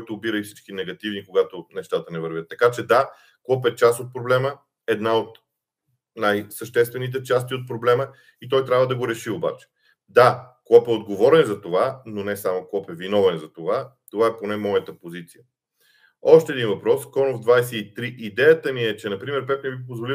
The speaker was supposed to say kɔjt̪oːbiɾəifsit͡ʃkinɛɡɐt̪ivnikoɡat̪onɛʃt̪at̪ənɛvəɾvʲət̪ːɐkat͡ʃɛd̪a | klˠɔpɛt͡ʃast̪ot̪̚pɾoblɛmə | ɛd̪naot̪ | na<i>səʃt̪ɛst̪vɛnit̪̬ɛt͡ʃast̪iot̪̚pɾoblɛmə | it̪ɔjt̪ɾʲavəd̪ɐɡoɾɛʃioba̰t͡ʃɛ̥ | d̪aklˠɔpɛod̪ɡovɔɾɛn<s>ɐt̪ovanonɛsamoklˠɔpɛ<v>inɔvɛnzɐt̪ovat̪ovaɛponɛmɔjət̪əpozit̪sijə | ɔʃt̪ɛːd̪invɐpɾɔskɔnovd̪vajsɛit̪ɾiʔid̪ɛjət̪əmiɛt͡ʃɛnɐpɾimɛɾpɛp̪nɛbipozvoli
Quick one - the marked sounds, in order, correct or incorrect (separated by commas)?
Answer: incorrect, incorrect, correct